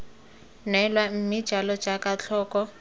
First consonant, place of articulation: alveolar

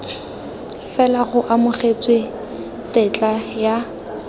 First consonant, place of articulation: labial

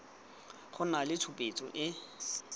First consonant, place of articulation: uvular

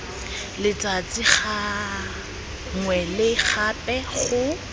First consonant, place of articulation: alveolar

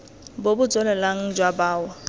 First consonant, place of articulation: labial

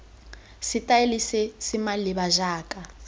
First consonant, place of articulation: alveolar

